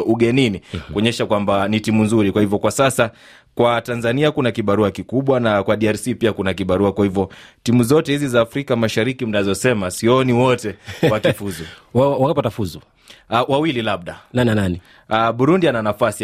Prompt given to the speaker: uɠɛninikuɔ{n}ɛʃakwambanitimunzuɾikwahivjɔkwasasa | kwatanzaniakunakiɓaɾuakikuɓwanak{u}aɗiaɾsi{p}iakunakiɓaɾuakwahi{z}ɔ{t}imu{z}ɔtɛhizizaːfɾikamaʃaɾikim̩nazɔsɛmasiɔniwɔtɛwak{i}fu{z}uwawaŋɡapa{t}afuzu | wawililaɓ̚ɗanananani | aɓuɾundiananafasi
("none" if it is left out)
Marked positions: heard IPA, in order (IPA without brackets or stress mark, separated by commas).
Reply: ɲ, w, p, v, t, z, i, z, t